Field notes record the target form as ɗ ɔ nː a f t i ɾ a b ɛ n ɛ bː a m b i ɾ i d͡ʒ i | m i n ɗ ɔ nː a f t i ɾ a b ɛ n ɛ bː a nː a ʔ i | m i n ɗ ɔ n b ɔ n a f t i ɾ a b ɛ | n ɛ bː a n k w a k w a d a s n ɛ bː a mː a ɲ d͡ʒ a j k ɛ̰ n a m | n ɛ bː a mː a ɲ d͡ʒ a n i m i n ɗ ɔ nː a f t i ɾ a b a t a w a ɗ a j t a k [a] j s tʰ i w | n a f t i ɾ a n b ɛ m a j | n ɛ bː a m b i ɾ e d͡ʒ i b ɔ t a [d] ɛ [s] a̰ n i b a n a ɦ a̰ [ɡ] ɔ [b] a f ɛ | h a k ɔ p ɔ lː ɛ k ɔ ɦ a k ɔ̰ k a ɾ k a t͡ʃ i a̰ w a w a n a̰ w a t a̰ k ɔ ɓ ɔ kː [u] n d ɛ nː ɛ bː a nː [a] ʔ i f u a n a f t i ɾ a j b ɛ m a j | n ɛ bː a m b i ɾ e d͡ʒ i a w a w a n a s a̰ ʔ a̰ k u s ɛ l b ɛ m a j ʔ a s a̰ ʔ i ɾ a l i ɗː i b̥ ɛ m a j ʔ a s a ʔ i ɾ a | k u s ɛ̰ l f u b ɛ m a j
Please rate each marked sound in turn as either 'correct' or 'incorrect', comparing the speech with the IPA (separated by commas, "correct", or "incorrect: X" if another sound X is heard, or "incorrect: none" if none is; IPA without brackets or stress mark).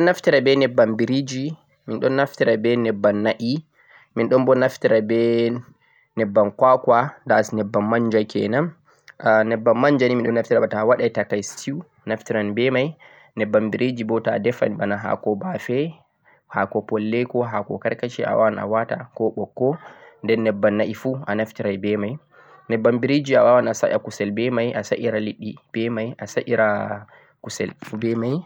correct, correct, incorrect: f, incorrect: k, correct, incorrect: ɔ, correct